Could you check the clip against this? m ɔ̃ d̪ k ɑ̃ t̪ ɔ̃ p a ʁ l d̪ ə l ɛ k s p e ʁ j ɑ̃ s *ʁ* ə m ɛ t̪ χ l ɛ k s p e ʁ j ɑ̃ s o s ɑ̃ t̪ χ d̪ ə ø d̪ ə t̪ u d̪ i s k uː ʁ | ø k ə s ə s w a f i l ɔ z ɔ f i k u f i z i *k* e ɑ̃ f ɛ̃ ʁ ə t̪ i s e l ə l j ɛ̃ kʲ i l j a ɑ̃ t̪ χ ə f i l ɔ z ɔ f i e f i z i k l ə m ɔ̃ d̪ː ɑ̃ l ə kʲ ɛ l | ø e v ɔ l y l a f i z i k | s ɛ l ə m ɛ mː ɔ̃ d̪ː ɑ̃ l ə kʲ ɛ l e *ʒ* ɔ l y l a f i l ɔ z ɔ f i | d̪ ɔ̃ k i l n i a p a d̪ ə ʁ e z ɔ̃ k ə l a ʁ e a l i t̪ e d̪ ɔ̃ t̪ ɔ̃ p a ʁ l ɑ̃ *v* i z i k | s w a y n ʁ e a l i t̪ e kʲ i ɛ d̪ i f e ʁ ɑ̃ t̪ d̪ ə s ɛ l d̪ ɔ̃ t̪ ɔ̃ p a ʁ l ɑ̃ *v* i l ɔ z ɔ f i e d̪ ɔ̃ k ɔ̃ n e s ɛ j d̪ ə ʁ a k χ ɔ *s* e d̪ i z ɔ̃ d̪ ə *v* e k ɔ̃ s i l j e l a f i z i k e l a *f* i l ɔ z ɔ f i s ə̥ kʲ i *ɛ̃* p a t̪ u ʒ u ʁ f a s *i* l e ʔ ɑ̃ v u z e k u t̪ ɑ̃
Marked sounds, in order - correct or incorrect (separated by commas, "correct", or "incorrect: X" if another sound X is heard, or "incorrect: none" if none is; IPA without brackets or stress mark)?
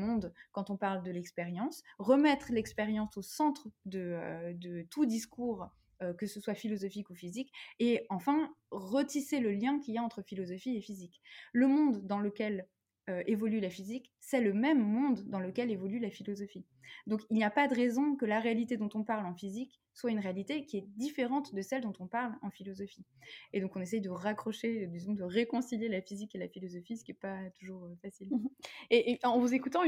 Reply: correct, correct, incorrect: v, incorrect: f, incorrect: f, incorrect: ʃ, incorrect: ʁ, correct, incorrect: ɛ, correct